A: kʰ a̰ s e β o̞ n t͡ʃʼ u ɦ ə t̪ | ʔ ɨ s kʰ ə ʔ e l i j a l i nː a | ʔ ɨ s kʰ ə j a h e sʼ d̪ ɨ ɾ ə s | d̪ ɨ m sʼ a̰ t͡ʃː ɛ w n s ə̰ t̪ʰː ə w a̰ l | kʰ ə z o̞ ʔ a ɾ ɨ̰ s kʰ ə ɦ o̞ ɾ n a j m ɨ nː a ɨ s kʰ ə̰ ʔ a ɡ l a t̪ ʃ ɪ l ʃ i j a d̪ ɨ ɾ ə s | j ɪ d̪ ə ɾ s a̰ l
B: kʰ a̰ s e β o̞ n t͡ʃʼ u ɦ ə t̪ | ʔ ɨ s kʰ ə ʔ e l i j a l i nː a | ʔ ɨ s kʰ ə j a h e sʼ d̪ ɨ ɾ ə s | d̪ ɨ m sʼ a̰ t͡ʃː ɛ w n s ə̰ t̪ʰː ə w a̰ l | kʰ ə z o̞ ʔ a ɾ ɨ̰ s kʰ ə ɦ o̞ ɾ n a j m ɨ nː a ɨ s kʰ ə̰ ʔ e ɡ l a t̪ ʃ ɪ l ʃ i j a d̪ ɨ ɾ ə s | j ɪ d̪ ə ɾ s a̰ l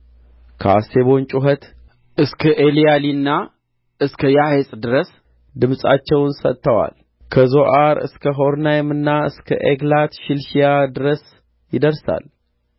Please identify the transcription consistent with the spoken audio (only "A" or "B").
B